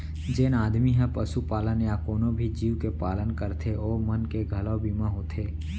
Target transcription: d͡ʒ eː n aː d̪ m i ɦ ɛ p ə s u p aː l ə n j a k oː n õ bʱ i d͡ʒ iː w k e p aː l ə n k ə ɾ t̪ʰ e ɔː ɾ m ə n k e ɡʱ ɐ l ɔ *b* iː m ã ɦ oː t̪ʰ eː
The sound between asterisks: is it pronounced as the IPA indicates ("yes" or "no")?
yes